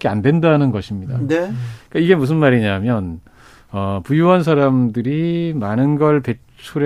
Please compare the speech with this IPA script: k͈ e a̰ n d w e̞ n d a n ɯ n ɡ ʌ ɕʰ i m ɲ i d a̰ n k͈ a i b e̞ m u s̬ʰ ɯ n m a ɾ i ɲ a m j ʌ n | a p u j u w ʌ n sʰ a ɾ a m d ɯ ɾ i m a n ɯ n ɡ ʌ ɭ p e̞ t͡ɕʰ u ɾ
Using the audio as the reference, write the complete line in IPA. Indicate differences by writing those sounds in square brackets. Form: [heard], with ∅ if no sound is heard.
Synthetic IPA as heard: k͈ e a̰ n d w e̞ n d a n ɯ n ɡ ʌ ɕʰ i m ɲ i d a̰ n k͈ a i [ɡ] e̞ m u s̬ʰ ɯ n m a ɾ i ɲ a m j ʌ n | [ʌ] p u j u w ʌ n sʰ a ɾ a m d ɯ ɾ i m a n ɯ n ɡ ʌ ɭ p e̞ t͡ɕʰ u ɾ